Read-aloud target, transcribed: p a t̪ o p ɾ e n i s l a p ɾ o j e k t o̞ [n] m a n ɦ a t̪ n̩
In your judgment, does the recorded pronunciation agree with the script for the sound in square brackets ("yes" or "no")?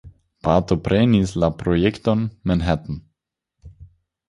yes